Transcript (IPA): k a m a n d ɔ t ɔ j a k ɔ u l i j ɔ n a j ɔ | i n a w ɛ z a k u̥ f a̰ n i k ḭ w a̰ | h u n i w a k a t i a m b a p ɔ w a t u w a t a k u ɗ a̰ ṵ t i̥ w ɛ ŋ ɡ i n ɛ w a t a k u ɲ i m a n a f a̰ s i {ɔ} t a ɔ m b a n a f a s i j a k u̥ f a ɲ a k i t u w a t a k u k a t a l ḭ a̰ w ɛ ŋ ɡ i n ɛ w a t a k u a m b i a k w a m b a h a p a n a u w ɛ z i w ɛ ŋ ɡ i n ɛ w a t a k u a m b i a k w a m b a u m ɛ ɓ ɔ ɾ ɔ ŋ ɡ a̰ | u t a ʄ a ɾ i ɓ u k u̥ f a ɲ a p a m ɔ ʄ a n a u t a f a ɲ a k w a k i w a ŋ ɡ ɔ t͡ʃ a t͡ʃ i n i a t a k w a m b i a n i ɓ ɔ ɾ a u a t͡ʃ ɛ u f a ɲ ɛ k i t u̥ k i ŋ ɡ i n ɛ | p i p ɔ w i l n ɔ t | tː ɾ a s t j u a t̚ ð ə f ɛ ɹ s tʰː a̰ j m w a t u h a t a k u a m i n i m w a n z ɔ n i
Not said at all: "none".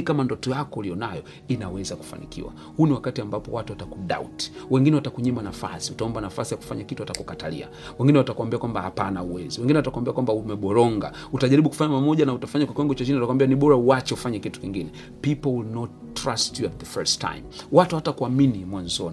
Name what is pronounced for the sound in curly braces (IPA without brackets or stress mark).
u